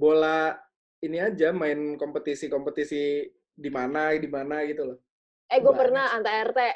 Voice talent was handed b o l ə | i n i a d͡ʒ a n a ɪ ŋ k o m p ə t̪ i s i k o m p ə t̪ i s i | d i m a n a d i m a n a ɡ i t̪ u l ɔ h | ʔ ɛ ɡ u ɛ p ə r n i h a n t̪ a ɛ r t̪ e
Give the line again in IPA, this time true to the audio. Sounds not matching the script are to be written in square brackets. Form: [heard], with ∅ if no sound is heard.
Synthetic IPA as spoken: b o l [a] | i n i a d͡ʒ a [m] a ɪ [n] k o m p ə t̪ i s i k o m p ə t̪ i s i | d i m a n a d i m a n a ɡ i t̪ u l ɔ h | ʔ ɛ ɡ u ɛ p ə r n [a] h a n t̪ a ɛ r t̪ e